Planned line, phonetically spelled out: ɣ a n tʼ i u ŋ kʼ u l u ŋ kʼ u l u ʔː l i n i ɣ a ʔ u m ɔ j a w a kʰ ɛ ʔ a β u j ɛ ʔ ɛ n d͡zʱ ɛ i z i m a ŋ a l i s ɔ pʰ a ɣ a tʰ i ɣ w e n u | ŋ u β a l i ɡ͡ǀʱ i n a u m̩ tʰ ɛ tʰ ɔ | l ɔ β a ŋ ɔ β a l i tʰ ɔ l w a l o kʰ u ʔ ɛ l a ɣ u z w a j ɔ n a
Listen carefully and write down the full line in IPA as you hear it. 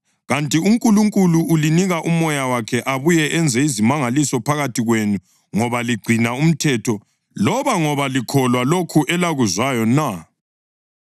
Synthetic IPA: ɣ a n tʼ i u ŋ kʼ u l u ŋ kʼ u l u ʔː l i n i ɣ a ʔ u m ɔ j a w a kʰ ɛ ʔ a β u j ɛ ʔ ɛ n d͡zʱ ɛ i z i m a ŋ a l i s ɔ pʰ a ɣ a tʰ i ɣ w e n u | ŋ ɔ β a l i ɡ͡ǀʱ i n a u m̩ tʰ ɛ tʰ ɔ | l ɔ β a ŋ ɔ β a l i kʰ ɔ l w a l o kʰ u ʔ ɛ l a ɣ u z w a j ɔ n a